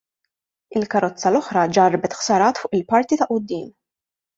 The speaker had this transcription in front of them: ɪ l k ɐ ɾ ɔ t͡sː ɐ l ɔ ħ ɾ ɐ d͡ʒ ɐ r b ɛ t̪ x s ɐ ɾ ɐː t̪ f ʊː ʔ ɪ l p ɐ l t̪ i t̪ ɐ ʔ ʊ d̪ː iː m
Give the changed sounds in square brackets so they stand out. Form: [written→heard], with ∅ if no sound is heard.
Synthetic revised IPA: ɪ l k ɐ ɾ ɔ t͡sː ɐ l ɔ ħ ɾ ɐ d͡ʒ ɐ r b ɛ t̪ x s ɐ ɾ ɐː t̪ f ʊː ʔ ɪ l p ɐ [l→ɾ] t̪ i t̪ ɐ ʔ ʊ d̪ː iː m